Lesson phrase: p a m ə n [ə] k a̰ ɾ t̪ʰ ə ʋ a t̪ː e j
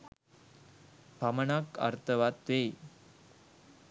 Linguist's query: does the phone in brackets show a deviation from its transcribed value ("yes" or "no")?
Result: yes